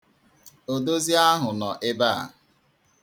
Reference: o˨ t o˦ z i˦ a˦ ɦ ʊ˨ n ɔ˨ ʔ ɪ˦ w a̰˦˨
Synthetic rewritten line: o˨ d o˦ z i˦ a˦ ɦ ʊ˨ n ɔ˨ ʔ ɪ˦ b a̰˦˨

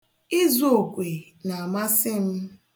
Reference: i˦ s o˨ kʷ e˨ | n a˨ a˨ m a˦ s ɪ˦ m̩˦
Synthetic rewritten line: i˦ z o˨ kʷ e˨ | n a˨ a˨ m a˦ s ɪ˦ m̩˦

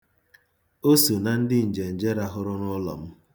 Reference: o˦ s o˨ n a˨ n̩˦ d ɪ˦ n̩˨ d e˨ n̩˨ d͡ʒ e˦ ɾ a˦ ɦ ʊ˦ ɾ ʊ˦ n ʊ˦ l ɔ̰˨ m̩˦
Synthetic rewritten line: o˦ s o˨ n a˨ n̩˦ d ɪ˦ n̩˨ d͡ʒ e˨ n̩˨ d͡ʒ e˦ ɾ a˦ ɦ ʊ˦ ɾ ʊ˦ n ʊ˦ l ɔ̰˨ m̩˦

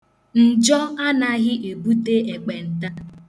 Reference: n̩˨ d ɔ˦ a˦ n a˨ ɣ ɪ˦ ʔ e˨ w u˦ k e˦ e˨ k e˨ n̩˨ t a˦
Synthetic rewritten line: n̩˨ d͡ʒ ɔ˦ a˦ n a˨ ɣ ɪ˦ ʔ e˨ b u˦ t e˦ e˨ k͡p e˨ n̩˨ t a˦

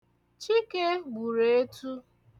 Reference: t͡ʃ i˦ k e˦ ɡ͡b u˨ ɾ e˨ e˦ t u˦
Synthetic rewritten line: t͡ʃ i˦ k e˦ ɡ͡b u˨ ɾ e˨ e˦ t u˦

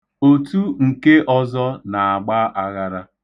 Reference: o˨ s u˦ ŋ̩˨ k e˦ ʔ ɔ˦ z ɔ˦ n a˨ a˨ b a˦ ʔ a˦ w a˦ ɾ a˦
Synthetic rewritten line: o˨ t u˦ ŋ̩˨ k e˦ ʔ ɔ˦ z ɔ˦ n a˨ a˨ ɡ͡b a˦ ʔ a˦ ɣ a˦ ɾ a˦

